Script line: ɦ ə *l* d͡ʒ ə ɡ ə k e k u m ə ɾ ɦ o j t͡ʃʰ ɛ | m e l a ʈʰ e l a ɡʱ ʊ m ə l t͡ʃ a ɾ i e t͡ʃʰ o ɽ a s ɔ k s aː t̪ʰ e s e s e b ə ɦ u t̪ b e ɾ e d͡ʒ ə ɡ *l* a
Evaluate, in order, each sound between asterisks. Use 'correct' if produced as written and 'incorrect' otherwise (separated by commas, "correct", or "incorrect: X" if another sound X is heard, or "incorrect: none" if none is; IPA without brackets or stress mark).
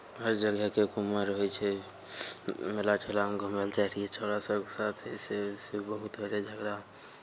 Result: incorrect: ɾ, incorrect: ɾ